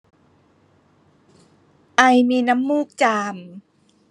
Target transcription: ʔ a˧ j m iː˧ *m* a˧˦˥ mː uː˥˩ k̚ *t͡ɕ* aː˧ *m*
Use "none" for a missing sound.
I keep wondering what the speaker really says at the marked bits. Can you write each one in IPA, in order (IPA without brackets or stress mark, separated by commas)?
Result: n, t͡ɕ, m